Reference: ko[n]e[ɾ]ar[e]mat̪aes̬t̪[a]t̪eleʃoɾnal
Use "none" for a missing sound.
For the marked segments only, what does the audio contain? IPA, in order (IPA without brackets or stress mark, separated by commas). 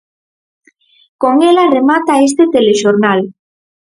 ŋ, l, e, e